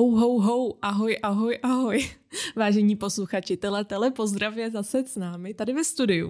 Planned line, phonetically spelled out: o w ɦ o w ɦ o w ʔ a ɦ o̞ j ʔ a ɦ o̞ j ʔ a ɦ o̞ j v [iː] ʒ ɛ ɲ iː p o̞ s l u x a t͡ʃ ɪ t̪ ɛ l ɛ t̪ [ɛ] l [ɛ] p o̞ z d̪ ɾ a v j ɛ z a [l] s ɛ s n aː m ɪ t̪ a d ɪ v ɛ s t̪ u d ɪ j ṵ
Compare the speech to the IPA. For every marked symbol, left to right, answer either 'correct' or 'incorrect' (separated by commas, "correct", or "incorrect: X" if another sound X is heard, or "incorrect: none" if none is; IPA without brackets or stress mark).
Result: incorrect: aː, correct, correct, incorrect: none